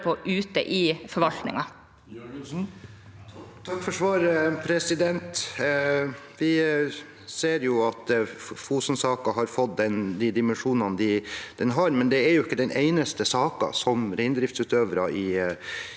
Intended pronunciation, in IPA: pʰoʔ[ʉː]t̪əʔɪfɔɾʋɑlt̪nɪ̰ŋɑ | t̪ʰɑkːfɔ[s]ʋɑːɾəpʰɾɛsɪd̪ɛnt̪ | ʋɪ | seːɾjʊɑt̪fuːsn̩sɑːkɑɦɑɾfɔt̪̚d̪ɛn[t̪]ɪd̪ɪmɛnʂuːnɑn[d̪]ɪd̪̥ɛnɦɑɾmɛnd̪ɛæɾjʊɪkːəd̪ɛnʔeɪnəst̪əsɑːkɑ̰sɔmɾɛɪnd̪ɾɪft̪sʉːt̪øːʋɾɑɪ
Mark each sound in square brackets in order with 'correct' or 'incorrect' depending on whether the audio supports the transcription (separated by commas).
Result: correct, incorrect, incorrect, correct